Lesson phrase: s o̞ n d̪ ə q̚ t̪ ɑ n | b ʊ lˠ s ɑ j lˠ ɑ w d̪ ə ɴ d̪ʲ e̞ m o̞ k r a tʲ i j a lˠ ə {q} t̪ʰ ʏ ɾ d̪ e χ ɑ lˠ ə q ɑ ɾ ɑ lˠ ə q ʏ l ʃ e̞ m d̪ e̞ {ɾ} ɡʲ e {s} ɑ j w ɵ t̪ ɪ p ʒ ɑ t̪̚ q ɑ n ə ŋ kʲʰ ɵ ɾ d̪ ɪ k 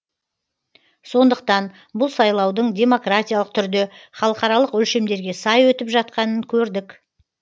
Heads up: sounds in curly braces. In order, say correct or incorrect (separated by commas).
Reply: correct, correct, correct